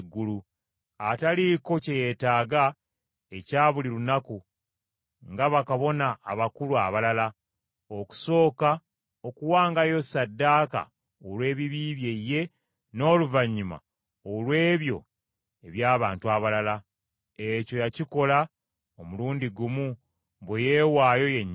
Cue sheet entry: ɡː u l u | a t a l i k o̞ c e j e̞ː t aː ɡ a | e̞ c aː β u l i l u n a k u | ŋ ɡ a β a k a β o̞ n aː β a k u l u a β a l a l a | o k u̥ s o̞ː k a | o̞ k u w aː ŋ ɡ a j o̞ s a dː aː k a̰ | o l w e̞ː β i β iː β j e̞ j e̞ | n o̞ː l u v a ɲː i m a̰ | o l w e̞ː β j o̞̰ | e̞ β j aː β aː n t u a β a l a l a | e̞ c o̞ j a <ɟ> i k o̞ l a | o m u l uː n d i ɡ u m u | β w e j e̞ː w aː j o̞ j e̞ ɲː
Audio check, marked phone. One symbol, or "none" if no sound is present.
c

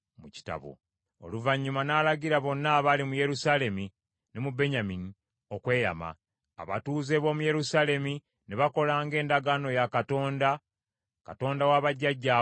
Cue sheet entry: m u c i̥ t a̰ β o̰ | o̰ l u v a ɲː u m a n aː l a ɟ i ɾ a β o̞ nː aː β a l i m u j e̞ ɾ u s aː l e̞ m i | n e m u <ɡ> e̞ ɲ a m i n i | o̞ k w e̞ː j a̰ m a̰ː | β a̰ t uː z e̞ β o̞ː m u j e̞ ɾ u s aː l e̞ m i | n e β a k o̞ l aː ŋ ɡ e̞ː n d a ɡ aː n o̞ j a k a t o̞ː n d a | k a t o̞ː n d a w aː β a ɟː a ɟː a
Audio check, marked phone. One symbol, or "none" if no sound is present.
b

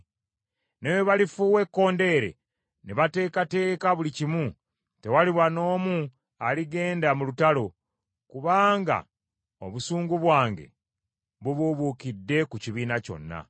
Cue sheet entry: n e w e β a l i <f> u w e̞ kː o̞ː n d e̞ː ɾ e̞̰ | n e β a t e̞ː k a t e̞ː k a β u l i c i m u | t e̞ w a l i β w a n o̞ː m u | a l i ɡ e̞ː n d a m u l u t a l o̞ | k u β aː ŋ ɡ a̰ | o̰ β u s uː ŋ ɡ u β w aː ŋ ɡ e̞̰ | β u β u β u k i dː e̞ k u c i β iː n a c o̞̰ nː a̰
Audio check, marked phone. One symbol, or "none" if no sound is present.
f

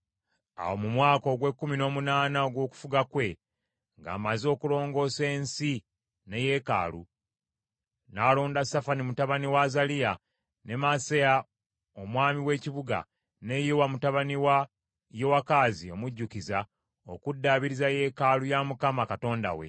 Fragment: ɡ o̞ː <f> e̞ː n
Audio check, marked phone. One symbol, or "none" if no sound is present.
s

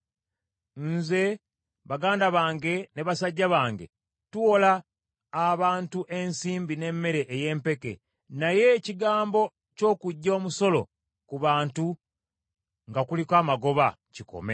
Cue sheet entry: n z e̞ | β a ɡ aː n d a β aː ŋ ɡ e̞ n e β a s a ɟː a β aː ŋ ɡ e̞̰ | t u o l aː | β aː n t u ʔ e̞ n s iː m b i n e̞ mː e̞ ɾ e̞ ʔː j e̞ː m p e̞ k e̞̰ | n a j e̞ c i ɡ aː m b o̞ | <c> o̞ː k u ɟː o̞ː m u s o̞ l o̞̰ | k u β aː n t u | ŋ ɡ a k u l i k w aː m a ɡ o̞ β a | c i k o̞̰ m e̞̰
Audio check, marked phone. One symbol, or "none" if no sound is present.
c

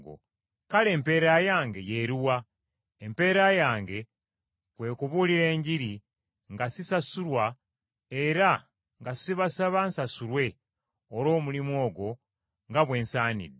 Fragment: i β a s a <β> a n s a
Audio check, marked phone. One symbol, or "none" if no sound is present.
β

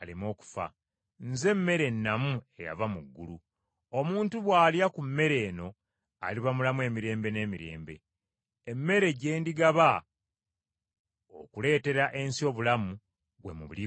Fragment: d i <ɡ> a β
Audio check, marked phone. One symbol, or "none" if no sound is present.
ɡ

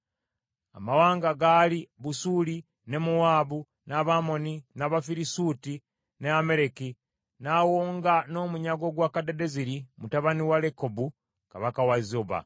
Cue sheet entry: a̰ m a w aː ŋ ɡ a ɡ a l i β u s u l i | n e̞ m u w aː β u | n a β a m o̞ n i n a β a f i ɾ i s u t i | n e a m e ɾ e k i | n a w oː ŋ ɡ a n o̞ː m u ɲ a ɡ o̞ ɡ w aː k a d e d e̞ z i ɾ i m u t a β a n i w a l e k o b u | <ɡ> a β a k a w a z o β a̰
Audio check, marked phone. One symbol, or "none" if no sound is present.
k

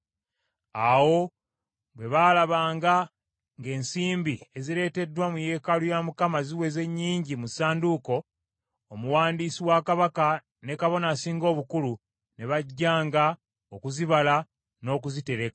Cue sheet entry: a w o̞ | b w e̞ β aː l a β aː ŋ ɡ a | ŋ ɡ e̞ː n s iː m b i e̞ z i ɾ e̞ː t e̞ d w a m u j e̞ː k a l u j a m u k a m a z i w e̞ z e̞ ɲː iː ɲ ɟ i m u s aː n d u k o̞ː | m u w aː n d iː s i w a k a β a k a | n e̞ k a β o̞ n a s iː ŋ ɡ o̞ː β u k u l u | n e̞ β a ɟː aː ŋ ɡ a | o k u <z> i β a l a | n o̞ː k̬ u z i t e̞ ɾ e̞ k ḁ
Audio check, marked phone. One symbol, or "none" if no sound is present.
z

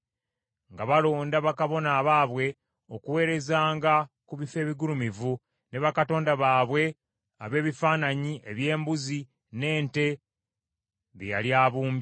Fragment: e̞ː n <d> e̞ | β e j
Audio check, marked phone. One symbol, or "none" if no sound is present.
t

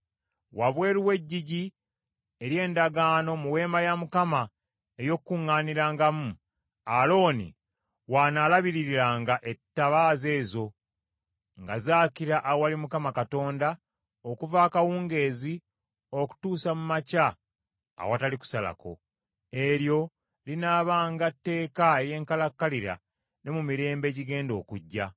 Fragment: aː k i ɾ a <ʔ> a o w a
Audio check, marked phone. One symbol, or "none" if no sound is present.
ʔ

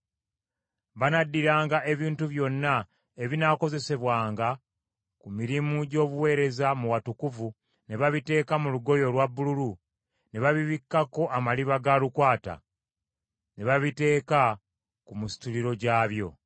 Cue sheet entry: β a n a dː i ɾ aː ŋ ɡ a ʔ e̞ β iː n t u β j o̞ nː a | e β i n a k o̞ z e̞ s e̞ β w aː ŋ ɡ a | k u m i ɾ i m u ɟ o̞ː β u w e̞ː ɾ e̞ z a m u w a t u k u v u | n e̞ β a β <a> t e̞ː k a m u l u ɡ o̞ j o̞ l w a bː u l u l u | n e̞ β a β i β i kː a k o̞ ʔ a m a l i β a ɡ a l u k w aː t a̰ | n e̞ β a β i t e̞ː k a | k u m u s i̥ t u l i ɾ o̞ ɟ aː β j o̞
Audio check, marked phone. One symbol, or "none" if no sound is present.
i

